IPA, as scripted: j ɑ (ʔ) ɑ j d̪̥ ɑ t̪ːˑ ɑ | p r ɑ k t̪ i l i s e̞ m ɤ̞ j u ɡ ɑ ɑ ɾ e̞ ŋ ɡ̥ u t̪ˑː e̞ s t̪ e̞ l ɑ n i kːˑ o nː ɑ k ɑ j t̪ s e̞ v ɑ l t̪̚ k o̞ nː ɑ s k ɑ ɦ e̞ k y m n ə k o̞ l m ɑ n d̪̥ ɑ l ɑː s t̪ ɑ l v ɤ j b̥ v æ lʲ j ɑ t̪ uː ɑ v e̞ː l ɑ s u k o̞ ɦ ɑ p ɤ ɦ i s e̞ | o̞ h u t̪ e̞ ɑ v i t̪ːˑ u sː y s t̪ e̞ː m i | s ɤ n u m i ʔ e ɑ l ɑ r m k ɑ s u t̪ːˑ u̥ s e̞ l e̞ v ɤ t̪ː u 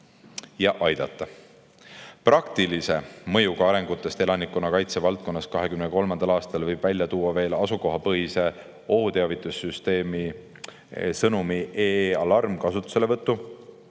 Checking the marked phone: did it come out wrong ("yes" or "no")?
no